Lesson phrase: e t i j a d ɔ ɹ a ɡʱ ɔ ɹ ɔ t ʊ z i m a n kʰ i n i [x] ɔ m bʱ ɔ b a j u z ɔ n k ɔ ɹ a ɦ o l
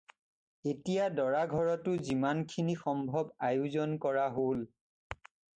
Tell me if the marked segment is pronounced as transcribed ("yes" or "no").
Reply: yes